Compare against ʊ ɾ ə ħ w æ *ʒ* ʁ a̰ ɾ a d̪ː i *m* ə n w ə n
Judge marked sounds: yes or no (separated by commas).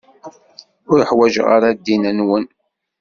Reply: yes, no